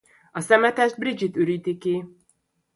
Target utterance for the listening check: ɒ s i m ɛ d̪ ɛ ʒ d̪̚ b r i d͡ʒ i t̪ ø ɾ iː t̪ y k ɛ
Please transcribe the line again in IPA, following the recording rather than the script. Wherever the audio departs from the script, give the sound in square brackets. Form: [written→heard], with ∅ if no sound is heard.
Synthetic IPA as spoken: ɒ s [i→ɛ] m ɛ [d̪→t̪] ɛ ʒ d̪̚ b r i d͡ʒ i t̪ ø ɾ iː t̪ [y→i] k [ɛ→i]